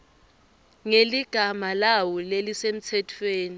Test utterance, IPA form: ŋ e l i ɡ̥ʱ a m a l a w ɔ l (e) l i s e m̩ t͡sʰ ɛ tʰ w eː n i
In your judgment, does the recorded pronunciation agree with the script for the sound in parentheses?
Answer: yes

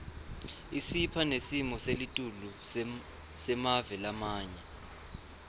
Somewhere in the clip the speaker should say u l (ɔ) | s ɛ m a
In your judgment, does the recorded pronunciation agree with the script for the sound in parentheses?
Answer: no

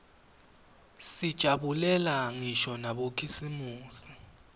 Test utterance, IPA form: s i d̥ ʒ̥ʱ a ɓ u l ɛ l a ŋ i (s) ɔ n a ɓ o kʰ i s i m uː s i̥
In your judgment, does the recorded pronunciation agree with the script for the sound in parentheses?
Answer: no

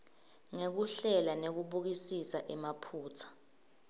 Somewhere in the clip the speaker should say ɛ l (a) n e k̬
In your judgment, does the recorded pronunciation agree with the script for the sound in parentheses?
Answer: yes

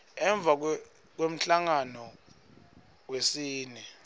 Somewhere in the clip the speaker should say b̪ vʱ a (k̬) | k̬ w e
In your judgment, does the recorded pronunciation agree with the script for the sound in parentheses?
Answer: yes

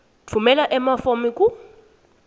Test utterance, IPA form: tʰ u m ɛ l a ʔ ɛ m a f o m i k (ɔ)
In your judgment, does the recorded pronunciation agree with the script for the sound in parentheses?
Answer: no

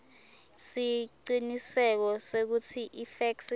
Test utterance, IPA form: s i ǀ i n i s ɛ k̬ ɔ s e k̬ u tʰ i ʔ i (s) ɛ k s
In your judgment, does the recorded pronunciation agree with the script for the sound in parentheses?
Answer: no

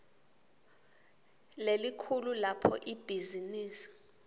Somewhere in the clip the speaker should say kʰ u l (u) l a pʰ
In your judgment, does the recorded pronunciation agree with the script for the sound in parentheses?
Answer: yes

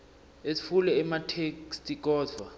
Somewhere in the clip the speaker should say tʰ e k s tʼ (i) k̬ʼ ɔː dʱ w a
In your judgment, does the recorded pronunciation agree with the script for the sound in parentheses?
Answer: yes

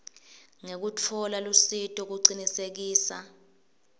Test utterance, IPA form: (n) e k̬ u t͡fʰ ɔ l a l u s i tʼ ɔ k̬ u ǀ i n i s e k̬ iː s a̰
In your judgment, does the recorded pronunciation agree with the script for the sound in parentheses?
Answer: no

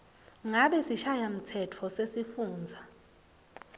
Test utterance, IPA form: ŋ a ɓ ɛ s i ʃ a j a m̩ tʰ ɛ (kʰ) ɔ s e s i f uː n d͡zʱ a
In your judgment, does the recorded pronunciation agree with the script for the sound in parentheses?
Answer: no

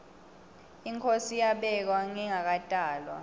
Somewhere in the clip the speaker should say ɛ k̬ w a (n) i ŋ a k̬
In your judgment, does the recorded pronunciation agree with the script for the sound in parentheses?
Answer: no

